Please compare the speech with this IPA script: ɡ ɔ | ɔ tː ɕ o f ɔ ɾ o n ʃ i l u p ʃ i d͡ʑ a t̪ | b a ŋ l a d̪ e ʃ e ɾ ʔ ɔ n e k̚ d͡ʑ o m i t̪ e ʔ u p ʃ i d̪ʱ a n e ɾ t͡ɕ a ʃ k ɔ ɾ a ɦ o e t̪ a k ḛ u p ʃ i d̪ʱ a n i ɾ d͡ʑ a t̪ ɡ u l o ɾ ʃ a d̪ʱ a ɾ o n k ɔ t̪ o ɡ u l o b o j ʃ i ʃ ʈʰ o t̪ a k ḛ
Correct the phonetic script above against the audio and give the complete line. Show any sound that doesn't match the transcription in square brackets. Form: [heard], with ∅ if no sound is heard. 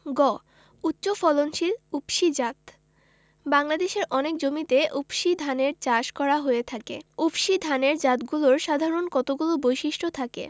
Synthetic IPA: ɡ ɔ | [u] tː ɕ o f ɔ [l] o n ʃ i l u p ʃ i d͡ʑ a t̪ | b a ŋ l a d̪ e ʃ e ɾ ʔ ɔ n e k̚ d͡ʑ o m i t̪ e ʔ u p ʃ i d̪ʱ a n e ɾ t͡ɕ a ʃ k ɔ ɾ a ɦ o e [t̪ʰ] a k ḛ u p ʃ i d̪ʱ a n [e] ɾ d͡ʑ a t̪ ɡ u l o ɾ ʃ a d̪ʱ a ɾ o n k ɔ t̪ o ɡ u l o b o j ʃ i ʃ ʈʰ o [t̪ʰ] a k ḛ